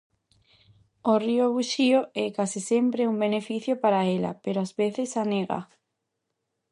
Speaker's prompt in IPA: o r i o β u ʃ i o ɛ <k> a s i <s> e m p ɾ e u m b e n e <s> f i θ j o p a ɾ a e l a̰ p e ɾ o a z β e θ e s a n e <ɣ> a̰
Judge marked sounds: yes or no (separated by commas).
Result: yes, yes, no, yes